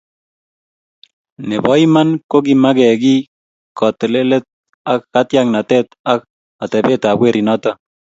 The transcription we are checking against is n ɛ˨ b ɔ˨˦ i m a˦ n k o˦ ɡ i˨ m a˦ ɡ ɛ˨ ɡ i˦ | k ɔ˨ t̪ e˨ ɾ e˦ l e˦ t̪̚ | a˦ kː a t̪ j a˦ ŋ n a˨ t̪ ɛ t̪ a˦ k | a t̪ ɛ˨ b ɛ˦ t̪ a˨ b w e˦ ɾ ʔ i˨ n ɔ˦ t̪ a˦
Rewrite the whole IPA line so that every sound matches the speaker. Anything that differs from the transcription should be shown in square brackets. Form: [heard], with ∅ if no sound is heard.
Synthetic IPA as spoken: n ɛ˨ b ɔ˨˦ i m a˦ n k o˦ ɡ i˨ m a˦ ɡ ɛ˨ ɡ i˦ | k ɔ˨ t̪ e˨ [l] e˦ l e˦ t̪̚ | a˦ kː a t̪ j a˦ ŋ n a˨ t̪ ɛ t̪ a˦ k | a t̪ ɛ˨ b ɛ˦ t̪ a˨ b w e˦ ɾ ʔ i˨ n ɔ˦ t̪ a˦